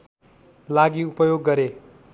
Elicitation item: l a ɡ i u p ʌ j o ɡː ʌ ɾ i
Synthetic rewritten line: l a ɡ i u p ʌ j o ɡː ʌ ɾ e